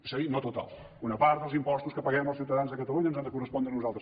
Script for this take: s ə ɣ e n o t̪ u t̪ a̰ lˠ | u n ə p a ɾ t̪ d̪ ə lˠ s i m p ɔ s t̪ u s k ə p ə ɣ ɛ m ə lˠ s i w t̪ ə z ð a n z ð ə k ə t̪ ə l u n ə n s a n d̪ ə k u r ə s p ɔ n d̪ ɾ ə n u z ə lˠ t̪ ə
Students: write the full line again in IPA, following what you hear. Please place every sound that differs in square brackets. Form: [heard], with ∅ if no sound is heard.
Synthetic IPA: s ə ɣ [i] n o t̪ u t̪ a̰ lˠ | u n ə p a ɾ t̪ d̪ ə lˠ [z] i m p ɔ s t̪ u s k ə p ə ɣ ɛ m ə lˠ s i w t̪ ə [∅] ð a n z ð ə k ə t̪ ə l u [ɲ] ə n [z] a n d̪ ə k u r ə s p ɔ n d̪ ɾ ə n u z [a] lˠ t̪ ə